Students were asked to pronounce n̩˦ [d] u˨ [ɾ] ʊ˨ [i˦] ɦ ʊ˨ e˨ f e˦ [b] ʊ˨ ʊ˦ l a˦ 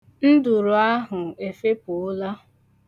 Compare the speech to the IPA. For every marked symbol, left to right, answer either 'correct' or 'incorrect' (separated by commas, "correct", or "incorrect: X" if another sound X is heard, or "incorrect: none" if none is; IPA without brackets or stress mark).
correct, correct, incorrect: a˦, incorrect: p